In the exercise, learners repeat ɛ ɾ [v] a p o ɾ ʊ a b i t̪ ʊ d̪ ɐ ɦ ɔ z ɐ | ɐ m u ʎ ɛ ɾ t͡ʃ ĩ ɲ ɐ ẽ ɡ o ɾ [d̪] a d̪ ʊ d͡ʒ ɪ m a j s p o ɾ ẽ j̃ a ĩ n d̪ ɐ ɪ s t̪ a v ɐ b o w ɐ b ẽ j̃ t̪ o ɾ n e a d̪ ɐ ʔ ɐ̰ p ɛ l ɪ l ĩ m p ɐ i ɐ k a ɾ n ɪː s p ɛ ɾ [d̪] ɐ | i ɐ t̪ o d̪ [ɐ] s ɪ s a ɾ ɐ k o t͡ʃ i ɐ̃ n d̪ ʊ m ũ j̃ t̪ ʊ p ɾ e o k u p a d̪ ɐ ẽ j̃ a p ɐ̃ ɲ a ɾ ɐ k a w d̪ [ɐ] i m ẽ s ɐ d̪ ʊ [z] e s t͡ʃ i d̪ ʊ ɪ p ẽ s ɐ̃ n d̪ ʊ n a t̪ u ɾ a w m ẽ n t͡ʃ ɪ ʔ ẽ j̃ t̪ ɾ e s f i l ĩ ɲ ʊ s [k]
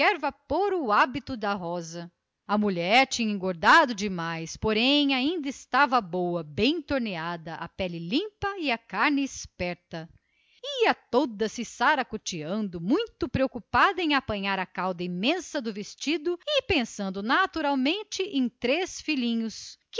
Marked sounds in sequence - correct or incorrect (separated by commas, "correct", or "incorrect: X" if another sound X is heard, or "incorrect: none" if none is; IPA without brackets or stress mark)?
correct, correct, incorrect: t̪, correct, correct, incorrect: v, correct